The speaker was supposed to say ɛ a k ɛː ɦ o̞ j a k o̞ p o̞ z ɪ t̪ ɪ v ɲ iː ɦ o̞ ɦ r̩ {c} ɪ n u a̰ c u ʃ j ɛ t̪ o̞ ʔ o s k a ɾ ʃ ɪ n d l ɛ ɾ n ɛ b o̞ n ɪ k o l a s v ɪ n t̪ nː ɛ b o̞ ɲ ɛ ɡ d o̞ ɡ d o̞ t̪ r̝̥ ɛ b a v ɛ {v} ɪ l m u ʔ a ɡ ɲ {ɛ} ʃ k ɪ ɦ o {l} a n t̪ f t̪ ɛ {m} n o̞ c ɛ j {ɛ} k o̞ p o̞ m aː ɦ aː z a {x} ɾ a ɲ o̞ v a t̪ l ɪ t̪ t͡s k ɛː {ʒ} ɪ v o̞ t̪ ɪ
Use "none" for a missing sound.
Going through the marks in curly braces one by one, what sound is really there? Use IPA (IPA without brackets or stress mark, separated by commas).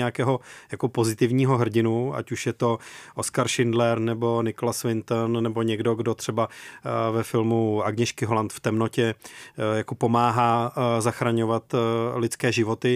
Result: ɟ, f, ɛ, l, m, a, x, ʒ